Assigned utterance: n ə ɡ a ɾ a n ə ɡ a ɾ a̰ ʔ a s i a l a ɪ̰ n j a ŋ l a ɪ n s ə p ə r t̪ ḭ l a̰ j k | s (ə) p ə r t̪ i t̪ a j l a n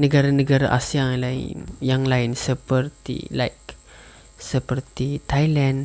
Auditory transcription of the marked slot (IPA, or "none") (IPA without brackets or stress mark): ə